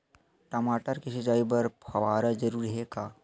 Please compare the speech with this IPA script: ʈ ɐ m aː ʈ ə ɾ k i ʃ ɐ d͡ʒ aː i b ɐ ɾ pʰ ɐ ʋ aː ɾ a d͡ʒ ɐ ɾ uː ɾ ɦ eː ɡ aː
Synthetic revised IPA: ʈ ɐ m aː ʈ ə ɾ k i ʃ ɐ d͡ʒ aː i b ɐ ɾ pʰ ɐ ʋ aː ɾ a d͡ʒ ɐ ɾ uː ɾ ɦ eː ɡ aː